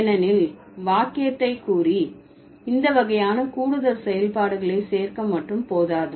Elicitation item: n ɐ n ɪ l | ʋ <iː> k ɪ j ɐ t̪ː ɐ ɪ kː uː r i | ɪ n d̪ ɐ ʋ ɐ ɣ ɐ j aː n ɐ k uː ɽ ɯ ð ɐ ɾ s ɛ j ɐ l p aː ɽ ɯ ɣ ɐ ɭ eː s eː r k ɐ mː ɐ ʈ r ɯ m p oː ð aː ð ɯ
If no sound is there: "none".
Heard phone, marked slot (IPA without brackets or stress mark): aː